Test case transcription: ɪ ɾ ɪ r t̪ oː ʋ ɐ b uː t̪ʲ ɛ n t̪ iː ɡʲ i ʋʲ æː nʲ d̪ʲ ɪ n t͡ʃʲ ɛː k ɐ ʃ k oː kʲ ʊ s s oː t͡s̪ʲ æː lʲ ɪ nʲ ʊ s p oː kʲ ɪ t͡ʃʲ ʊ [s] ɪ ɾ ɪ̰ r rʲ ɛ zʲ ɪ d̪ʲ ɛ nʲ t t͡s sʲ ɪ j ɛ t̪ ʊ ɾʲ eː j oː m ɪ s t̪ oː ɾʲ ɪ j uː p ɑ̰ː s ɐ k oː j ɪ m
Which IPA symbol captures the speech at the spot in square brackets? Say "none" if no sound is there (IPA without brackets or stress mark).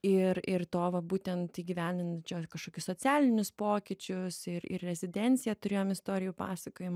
s